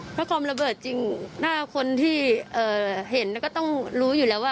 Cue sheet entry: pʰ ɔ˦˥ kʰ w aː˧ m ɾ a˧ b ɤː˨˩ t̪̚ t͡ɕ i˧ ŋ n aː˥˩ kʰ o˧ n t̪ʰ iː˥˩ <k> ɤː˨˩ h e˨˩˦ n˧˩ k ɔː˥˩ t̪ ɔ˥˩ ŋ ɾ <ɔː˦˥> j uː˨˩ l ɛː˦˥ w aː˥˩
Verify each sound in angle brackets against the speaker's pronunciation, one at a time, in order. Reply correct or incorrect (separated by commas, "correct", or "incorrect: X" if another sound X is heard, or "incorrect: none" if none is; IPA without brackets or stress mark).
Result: incorrect: ʔ, incorrect: uː˦˥